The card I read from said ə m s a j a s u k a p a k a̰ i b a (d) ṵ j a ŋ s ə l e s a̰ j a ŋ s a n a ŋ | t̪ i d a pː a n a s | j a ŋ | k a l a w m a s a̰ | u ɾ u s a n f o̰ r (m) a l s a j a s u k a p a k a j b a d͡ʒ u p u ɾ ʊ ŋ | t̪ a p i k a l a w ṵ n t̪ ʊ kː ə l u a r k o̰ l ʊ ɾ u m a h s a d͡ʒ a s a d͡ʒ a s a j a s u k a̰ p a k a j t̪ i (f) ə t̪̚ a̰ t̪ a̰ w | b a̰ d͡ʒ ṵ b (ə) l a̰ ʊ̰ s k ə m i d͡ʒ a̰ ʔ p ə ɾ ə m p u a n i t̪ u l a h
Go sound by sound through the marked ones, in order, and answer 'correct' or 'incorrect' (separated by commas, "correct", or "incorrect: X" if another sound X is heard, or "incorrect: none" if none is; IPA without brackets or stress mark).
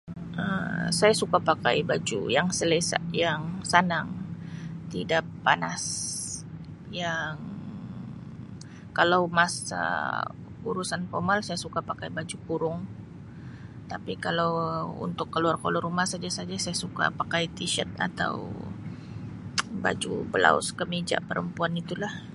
incorrect: d͡ʒ, correct, incorrect: ʃ, correct